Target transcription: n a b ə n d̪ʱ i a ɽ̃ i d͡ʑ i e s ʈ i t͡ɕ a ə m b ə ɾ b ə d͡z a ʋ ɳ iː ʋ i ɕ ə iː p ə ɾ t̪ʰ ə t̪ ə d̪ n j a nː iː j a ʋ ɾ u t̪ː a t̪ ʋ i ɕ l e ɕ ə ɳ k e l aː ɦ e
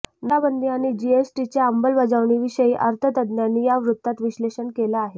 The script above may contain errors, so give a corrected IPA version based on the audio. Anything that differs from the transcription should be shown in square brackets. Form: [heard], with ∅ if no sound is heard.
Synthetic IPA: n a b ə n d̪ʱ i a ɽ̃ i d͡ʑ i e s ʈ i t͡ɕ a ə m b ə [l] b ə d͡z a ʋ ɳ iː ʋ i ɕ ə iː [ʔ] ə ɾ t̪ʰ ə t̪ ə d̪ n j a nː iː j a ʋ ɾ u t̪ː a t̪ ʋ i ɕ l e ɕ ə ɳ k e l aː ɦ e